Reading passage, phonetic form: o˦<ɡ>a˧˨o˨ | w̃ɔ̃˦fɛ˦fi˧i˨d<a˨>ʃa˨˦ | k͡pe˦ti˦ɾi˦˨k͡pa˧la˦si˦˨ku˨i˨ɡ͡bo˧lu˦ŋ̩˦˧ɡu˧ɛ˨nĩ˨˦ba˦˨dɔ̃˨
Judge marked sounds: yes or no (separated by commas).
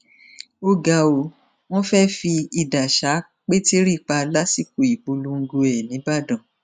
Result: yes, yes